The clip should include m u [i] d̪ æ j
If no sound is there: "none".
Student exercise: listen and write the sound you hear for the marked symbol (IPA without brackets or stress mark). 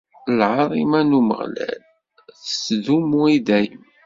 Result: i